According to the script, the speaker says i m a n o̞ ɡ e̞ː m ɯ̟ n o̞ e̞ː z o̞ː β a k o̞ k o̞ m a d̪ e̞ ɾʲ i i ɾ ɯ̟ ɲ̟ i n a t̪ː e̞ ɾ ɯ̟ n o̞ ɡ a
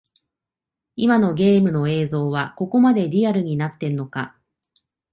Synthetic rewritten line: i m a n o̞ ɡ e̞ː m ɯ̟ n o̞ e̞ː z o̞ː β a k o̞ k o̞ m a d̪ e̞ ɾʲ i a ɾ ɯ̟ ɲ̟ i n a t̪ː e̞ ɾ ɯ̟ n o̞ k a